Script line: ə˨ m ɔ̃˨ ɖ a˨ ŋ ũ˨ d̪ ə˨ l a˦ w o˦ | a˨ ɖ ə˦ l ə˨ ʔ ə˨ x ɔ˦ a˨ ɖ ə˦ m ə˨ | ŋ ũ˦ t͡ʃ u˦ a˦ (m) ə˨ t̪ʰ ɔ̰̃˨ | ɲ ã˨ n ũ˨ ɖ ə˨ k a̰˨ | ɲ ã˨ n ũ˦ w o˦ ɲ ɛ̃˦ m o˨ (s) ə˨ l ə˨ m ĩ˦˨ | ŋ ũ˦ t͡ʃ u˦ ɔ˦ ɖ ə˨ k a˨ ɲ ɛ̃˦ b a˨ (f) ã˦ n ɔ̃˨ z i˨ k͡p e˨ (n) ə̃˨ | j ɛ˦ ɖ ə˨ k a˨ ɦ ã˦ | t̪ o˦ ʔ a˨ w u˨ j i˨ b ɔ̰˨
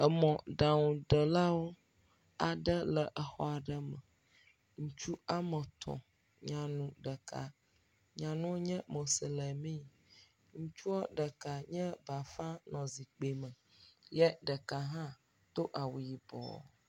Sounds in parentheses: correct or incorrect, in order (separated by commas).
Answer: correct, correct, correct, incorrect